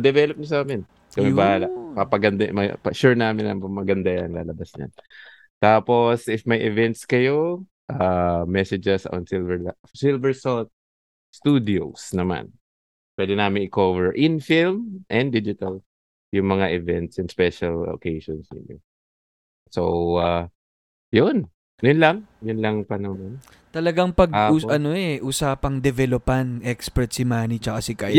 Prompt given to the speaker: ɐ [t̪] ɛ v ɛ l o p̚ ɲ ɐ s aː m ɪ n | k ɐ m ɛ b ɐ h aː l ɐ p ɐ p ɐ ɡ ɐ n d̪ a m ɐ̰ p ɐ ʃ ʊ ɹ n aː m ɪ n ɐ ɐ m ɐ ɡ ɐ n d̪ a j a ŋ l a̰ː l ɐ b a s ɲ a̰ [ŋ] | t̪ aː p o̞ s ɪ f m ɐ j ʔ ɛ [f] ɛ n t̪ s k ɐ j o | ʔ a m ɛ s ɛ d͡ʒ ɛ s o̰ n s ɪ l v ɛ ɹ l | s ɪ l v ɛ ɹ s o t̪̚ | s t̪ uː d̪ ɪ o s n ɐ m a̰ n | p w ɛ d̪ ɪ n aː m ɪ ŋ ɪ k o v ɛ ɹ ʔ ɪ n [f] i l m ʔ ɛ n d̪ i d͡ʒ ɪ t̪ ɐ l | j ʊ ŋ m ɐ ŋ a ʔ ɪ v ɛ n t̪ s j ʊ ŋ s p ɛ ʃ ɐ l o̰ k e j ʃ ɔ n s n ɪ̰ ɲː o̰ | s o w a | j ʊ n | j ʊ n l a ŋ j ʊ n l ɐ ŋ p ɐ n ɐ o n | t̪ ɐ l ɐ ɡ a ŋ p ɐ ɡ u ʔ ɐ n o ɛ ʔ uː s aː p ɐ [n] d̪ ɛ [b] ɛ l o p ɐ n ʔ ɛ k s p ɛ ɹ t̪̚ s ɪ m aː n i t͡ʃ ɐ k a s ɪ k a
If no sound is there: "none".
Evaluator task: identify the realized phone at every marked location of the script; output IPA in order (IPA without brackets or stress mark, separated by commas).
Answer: d̪, n, v, f, ŋ, v